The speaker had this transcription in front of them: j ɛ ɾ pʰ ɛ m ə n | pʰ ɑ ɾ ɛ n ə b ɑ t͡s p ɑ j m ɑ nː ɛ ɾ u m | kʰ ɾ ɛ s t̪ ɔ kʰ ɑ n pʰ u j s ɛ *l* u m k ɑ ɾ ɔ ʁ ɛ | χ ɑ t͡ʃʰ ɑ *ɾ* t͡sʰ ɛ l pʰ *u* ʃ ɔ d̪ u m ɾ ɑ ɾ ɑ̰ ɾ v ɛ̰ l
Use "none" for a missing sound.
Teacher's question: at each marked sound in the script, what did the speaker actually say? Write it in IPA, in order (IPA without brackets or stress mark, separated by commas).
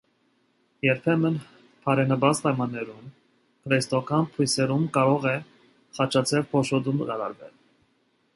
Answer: ɾ, none, ɔ